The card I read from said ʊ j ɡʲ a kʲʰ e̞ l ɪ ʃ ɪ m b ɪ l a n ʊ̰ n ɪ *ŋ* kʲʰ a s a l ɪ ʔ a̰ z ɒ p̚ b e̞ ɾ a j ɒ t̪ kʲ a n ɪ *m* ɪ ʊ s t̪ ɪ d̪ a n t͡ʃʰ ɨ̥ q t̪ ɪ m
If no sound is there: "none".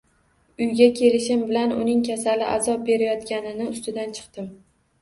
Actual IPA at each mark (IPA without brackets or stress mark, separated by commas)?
ŋ, n